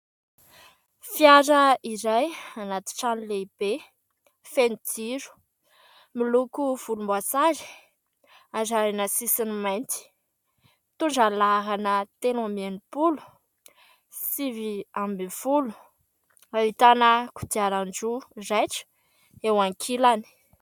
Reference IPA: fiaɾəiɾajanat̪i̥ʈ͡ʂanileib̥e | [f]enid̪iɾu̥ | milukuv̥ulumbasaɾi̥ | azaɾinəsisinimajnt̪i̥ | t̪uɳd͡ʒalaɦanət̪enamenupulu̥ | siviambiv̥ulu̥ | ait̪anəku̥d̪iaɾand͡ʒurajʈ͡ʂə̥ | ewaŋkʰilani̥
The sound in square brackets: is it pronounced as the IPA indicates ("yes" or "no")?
yes